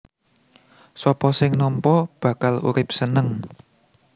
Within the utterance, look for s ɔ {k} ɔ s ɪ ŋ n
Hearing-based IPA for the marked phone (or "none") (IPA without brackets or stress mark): p